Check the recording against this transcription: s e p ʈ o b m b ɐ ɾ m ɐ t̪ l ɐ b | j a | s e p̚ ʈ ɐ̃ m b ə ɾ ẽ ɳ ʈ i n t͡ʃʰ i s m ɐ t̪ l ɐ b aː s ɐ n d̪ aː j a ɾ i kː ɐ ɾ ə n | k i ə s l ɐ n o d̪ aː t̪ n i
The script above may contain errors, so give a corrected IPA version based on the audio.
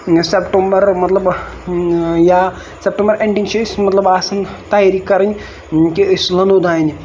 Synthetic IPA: s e p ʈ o m b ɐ ɾ m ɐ t̪ l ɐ b | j a | s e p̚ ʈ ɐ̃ m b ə ɾ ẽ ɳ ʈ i n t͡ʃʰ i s m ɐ t̪ l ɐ b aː s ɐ n t̪ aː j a ɾ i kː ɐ ɾ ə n | k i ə s l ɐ n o d̪ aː n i